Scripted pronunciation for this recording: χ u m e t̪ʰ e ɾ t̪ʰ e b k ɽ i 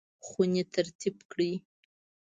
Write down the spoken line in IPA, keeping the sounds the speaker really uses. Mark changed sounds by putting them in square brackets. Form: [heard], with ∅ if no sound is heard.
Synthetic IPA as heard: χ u [n] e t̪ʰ [a] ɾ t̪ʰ [i] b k ɽ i